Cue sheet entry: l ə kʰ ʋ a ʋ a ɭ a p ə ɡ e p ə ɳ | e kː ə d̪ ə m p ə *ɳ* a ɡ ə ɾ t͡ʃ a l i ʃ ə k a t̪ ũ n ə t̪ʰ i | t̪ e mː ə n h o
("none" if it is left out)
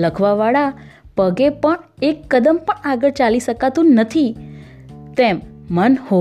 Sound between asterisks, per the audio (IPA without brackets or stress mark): ɳ